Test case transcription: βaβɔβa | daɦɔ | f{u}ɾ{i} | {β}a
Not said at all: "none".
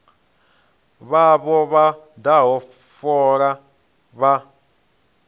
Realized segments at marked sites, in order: ɔ, a, β

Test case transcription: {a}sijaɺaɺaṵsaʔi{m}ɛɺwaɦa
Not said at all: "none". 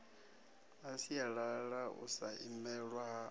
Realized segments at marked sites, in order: a, m

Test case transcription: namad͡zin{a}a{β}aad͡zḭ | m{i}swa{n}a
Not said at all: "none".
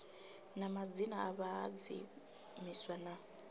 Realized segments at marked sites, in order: a, β, i, n

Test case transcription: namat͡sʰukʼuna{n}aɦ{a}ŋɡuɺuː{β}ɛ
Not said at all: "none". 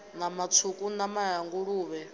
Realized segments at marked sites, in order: m, a, β

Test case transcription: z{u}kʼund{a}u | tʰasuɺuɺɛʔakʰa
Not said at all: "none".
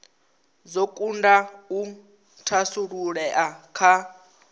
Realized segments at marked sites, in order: o, a

